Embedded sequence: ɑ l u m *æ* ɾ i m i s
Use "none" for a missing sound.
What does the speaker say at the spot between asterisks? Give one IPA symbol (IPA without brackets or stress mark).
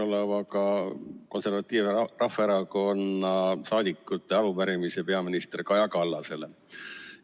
æ